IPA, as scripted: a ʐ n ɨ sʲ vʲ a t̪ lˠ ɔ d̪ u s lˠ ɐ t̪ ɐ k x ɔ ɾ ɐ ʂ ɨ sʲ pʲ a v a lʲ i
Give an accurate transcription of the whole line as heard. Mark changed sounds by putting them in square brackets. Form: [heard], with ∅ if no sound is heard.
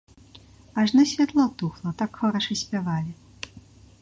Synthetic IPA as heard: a ʐ n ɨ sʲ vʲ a t̪ lˠ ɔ [t̪] u [x] lˠ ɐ t̪ [a] k x ɔ ɾ ɐ ʂ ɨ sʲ pʲ a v a lʲ i